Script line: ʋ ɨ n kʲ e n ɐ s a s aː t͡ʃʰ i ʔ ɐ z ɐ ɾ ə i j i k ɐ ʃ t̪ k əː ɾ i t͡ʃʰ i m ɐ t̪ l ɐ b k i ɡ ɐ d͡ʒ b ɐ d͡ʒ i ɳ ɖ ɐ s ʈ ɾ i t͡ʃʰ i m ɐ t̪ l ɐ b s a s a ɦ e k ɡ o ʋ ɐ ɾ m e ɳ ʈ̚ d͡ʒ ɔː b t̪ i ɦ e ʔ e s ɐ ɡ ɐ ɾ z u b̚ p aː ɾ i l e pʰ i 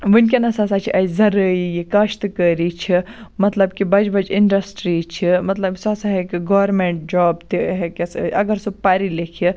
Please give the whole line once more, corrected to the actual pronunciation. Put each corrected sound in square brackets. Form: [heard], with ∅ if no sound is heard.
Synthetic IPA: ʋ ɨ n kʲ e n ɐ s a s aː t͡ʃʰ i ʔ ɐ z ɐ ɾ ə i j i k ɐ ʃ t̪ k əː ɾ i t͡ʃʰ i m ɐ t̪ l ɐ b k i [b] ɐ d͡ʒ b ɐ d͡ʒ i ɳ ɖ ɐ s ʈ ɾ i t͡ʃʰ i m ɐ t̪ l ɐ b s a s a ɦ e k ɡ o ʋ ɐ ɾ m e ɳ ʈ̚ d͡ʒ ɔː b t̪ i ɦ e [k] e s ɐ ɡ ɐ ɾ [s] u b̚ p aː ɾ i l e [kʰ] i